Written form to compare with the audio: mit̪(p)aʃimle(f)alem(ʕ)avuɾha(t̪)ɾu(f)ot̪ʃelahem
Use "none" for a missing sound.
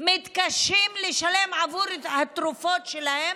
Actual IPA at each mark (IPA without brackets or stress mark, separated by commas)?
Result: k, ʃ, ʕ, t̪, f